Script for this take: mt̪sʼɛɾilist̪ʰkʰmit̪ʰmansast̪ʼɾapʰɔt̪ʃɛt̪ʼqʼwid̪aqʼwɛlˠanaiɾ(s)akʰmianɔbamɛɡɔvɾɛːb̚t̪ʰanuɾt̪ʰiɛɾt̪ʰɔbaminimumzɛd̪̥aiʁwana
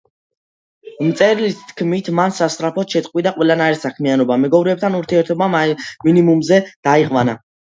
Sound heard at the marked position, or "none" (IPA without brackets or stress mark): s